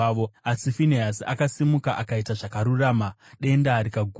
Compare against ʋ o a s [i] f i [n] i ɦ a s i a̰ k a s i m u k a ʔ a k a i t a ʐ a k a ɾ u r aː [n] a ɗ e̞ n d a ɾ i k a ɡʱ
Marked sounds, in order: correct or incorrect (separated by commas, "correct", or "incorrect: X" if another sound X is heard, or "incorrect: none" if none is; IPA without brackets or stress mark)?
correct, correct, incorrect: m